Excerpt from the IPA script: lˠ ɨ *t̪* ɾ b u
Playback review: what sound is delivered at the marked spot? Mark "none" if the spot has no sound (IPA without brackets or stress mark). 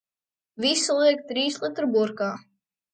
t̪